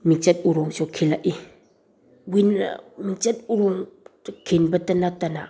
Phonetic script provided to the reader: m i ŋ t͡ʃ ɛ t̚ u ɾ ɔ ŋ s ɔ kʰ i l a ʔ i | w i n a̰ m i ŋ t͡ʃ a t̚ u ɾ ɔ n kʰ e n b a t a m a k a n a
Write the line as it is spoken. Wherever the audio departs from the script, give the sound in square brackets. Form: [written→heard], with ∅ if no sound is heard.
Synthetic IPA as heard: m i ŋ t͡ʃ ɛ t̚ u ɾ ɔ ŋ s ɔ kʰ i l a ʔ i | w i n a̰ m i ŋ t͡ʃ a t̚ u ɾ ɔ [n→ŋ] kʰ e n b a t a [m→n] a [k→t] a n a